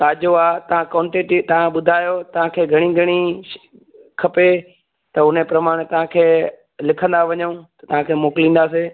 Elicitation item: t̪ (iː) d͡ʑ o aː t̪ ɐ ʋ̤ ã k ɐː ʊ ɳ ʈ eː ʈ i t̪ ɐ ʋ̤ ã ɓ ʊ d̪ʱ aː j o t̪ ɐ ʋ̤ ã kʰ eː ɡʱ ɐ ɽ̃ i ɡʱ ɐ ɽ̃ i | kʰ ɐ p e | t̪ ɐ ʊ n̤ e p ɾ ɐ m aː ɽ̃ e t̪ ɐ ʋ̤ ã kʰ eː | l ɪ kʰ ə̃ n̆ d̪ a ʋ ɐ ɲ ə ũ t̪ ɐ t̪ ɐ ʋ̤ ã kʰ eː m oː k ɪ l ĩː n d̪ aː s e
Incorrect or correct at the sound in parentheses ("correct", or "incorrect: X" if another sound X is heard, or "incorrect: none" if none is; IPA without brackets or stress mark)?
incorrect: aː